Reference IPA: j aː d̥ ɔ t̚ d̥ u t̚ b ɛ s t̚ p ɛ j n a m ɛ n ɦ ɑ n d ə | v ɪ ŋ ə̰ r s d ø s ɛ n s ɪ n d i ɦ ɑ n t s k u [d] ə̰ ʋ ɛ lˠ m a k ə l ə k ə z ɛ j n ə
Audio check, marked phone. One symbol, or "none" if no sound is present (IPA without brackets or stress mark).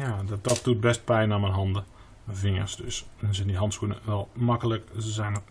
n